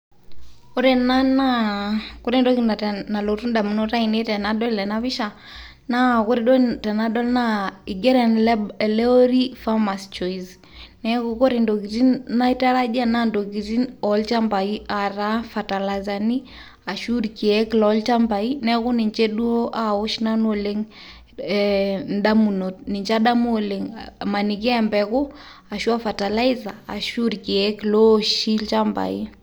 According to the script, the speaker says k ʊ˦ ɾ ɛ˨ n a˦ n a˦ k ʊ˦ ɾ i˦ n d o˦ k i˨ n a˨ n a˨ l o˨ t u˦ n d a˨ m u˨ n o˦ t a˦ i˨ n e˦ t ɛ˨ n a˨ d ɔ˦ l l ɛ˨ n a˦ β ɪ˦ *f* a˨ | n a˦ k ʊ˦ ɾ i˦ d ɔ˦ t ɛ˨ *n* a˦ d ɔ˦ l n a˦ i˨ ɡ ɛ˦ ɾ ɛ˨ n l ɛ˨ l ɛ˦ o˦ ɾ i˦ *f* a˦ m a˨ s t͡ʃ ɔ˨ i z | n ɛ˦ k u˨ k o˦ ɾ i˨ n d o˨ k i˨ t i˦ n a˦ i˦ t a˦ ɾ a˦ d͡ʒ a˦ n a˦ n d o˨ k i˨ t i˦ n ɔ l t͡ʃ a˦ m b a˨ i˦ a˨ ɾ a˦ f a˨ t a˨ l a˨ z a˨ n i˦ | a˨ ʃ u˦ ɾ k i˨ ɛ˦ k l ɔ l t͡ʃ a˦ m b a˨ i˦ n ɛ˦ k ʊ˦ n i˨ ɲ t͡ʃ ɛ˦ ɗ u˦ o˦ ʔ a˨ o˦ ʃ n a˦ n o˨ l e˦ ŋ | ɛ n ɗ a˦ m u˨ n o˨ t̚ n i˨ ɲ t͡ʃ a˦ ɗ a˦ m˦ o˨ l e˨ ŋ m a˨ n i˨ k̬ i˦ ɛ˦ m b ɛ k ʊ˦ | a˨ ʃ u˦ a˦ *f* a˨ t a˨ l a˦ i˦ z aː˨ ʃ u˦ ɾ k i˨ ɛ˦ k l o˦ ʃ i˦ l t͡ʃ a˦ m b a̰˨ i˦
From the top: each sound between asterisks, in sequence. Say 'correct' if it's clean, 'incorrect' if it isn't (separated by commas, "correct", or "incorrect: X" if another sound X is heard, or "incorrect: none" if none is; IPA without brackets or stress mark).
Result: incorrect: ʃ, correct, correct, correct